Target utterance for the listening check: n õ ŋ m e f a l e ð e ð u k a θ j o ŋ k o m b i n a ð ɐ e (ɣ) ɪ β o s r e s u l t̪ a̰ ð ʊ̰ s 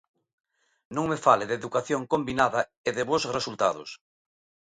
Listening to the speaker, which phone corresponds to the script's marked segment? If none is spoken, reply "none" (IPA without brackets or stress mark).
ð